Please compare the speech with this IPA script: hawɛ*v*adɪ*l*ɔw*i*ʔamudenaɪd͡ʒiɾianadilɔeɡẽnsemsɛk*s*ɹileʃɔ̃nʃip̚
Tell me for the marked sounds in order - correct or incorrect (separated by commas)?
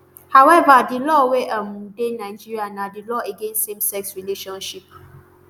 correct, correct, incorrect, correct